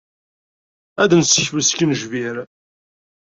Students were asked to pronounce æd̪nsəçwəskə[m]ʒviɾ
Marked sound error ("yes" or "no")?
yes